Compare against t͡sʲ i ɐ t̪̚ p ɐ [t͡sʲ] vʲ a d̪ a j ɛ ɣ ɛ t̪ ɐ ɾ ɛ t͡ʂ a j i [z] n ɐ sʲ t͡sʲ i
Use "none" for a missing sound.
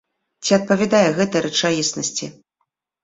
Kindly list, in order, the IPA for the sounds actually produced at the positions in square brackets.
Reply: none, s

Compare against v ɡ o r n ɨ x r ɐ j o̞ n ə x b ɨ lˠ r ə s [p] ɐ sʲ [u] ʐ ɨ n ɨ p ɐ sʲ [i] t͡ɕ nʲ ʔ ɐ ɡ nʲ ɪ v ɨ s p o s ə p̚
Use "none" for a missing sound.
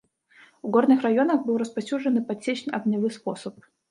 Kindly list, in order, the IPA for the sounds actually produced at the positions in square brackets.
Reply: p, u, e

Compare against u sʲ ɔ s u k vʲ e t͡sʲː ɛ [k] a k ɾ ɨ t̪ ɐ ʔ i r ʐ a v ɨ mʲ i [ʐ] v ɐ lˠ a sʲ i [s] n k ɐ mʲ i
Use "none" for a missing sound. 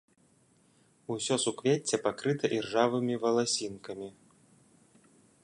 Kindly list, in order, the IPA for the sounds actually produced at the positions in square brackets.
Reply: p, none, none

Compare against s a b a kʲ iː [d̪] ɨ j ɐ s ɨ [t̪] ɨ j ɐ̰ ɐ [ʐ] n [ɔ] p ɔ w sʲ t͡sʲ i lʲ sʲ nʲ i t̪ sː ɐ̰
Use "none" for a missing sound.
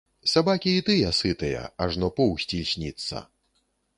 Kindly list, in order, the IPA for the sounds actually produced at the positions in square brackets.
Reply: t̪, t̪, ʐ, ɔ

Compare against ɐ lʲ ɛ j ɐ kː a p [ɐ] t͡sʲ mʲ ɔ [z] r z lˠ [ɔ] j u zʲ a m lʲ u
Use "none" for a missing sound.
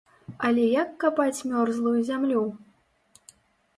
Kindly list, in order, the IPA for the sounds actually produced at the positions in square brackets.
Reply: a, none, u

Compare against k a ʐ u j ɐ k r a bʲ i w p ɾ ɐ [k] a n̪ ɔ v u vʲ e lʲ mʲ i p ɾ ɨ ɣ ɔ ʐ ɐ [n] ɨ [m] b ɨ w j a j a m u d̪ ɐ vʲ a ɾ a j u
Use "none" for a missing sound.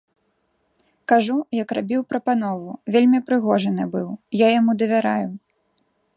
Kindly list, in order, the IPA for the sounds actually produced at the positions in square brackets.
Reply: p, n, none

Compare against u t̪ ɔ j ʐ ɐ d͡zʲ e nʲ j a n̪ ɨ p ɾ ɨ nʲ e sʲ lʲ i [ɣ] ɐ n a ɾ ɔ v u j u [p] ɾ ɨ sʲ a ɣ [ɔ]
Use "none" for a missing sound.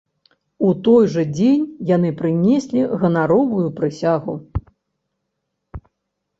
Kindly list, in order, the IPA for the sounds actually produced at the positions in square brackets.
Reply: ɣ, p, u

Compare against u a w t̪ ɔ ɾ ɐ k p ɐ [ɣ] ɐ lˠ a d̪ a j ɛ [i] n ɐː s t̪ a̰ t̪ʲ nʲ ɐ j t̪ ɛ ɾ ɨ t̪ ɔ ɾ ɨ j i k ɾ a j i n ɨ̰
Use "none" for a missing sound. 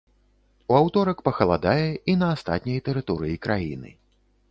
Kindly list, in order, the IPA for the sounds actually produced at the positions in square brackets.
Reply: x, i

